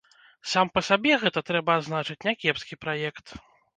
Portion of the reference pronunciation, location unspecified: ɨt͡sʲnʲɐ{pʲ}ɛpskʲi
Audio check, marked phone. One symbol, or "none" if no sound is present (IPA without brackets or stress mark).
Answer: kʲ